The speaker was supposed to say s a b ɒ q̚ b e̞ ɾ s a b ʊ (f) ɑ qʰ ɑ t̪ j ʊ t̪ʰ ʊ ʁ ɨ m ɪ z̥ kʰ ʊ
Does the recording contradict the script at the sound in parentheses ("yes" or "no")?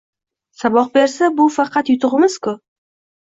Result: no